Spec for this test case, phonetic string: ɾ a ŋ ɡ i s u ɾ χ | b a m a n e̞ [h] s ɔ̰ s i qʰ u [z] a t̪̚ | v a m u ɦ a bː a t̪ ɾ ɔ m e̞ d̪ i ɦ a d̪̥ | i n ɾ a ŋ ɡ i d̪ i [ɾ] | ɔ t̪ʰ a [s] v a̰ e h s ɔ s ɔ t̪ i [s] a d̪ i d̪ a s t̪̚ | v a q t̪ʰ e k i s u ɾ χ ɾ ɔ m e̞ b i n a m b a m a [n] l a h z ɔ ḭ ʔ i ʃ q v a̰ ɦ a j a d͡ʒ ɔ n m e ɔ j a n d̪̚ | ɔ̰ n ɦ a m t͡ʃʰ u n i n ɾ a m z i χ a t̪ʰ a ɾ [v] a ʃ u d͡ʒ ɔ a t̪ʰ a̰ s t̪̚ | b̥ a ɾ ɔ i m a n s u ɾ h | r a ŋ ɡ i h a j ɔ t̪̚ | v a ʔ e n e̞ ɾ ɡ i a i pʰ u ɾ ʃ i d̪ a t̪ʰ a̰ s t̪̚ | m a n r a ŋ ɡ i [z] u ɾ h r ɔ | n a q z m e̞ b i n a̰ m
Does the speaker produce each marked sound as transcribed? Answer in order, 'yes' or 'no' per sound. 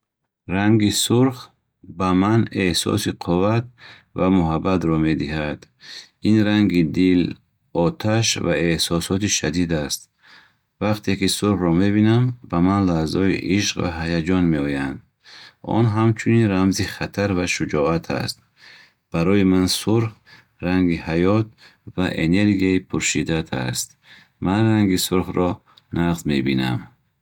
yes, no, no, no, no, yes, yes, no

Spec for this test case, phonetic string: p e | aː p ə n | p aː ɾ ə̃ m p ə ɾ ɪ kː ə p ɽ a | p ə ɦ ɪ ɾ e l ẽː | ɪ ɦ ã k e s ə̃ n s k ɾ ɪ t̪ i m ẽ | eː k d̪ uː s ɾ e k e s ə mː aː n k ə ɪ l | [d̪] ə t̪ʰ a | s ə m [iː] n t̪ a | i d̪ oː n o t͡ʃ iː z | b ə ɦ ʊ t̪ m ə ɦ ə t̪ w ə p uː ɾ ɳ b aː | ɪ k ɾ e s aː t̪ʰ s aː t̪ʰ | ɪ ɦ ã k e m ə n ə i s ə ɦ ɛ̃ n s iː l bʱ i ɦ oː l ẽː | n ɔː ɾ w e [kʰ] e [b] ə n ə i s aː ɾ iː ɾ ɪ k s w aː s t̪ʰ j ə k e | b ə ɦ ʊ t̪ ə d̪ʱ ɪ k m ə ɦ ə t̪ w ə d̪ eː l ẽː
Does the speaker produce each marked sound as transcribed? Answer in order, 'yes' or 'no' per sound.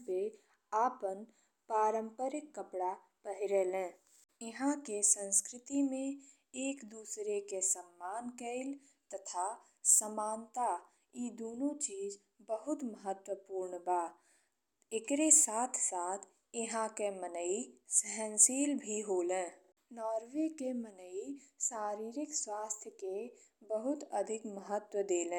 no, no, no, no

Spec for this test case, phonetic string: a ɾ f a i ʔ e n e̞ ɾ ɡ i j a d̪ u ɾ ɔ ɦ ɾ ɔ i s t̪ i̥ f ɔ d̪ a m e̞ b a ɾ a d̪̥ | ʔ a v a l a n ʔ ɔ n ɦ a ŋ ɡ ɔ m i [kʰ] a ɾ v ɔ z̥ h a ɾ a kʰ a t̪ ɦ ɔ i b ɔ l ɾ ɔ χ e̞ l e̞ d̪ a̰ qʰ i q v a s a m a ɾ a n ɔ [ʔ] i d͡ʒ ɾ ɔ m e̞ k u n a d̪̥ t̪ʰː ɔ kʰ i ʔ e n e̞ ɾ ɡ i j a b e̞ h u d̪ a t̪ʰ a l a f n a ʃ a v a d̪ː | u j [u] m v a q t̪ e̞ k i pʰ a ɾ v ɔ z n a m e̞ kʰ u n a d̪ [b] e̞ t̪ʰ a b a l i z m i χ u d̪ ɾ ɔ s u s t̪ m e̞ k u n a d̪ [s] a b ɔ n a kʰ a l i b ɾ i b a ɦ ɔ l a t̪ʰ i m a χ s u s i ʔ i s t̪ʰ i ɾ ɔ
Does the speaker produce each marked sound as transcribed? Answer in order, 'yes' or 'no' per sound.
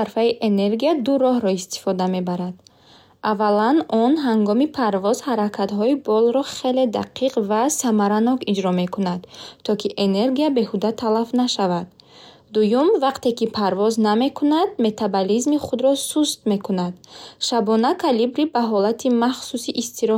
no, no, yes, no, no

